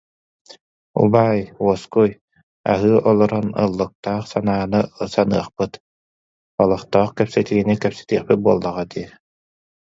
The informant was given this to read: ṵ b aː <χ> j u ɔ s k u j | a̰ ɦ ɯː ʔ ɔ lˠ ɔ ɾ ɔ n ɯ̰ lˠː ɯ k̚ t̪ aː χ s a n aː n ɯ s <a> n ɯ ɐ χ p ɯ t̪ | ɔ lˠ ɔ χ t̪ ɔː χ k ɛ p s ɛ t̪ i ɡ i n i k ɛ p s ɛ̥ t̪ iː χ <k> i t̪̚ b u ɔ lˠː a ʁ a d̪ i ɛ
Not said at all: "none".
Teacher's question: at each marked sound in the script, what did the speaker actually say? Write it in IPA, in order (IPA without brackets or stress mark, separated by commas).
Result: none, a, p